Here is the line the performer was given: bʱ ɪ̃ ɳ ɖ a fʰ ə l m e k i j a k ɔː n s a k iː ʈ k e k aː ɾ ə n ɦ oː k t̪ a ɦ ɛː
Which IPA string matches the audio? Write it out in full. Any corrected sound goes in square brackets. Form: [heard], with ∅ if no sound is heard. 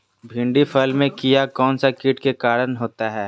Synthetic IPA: bʱ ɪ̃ ɳ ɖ [i] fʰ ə l m [ẽ] k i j a k ɔː n s a k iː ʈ k e k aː ɾ ə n ɦ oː [∅] t̪ a ɦ ɛː